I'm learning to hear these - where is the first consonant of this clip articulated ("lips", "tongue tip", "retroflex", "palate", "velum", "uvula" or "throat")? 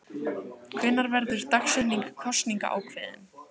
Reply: velum